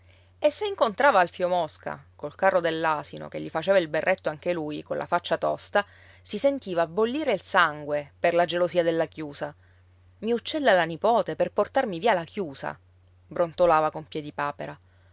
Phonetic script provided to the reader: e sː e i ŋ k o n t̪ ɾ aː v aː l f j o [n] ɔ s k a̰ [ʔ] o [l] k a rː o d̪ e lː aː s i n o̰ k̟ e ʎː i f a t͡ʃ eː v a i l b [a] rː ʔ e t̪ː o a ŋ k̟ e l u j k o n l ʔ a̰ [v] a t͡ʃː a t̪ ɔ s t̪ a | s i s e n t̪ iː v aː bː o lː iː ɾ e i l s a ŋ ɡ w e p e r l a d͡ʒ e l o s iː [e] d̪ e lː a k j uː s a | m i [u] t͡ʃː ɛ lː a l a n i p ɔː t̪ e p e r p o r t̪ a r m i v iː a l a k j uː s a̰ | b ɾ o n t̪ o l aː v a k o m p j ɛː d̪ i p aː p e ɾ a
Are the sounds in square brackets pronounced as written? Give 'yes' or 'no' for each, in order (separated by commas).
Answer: no, no, yes, no, no, no, yes